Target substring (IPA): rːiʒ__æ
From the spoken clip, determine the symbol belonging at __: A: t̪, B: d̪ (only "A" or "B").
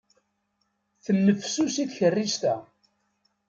A